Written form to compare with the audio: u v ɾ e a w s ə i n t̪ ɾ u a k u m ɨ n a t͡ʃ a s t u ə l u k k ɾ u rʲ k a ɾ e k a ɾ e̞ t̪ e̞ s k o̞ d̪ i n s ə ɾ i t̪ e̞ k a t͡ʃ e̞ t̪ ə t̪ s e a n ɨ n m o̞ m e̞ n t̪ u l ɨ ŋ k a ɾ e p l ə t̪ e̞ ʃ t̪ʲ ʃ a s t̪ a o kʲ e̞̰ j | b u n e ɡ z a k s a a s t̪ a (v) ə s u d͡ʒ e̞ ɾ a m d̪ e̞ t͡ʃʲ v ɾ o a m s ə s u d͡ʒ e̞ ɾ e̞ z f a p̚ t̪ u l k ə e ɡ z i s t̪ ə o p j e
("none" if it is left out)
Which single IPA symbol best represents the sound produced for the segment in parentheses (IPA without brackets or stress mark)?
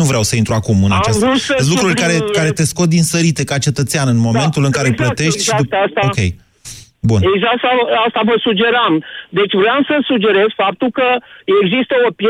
v